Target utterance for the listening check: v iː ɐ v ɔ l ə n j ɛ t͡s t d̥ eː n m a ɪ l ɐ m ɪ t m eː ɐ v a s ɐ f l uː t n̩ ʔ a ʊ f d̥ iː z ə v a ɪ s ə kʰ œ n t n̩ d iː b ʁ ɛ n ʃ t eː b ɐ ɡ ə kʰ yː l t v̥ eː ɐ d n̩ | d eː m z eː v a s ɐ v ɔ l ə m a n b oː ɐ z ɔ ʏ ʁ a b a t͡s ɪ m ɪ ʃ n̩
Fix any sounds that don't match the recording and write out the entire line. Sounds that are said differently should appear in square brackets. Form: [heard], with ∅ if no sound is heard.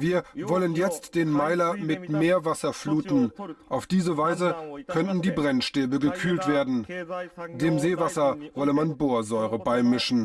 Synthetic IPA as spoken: v iː ɐ v ɔ l ə n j ɛ t͡s t d̥ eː n m a ɪ l ɐ m ɪ t m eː ɐ v a s ɐ f l uː t n̩ ʔ a ʊ f d̥ iː z ə v a ɪ [z] ə kʰ œ n t n̩ d iː b ʁ ɛ n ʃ t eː b [ə] ɡ ə kʰ yː l t v̥ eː ɐ d n̩ | d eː m z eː v a s ɐ v ɔ l ə m a n b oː ɐ z ɔ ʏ ʁ [ə] b a [∅] ɪ m ɪ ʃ n̩